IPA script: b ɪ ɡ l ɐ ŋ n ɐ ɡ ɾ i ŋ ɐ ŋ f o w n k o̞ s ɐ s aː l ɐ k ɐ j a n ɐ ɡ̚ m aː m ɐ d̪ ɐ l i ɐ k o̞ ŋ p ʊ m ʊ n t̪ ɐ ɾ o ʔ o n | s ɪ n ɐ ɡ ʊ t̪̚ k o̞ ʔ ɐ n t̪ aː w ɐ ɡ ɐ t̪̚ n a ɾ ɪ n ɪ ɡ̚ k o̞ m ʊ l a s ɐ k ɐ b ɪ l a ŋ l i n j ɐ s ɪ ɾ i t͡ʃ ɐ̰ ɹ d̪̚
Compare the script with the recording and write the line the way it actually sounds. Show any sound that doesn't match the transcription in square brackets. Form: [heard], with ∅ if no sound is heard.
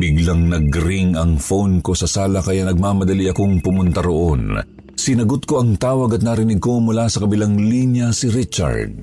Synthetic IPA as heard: b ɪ ɡ l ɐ ŋ n ɐ ɡ ɾ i ŋ ɐ ŋ f o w n k o̞ s ɐ s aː l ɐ k ɐ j a n ɐ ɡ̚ m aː m ɐ d̪ ɐ l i ɐ k o̞ ŋ p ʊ m ʊ n t̪ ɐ ɾ o ʔ o n | s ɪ n ɐ ɡ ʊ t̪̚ k o̞ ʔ ɐ [ŋ] t̪ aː w ɐ ɡ ɐ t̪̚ n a ɾ ɪ n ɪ ɡ̚ k o̞ m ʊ l a s ɐ k ɐ b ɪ l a ŋ l i n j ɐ s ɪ ɾ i t͡ʃ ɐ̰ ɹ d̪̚